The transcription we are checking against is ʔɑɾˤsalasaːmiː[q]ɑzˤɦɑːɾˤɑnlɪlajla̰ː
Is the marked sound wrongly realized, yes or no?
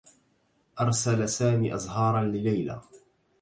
yes